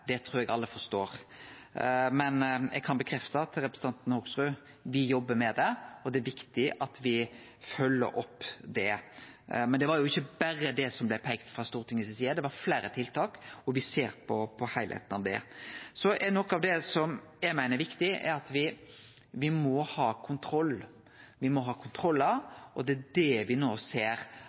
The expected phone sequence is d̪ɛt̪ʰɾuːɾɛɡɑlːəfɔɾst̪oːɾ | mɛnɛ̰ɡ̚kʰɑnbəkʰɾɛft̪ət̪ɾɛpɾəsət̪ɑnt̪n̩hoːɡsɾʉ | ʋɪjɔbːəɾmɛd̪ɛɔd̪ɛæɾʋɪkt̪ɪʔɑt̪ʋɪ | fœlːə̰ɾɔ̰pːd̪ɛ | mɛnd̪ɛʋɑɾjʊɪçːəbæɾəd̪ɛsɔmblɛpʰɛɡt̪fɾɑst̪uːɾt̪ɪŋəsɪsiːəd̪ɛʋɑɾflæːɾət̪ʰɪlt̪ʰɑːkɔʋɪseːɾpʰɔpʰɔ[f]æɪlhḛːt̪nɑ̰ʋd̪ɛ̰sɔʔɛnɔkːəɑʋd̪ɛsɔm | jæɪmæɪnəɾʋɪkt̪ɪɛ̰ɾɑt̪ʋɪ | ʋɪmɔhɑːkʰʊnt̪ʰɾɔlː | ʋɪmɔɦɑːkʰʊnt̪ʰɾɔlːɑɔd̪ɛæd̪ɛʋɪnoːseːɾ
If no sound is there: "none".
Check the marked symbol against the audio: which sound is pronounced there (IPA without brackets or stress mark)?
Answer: h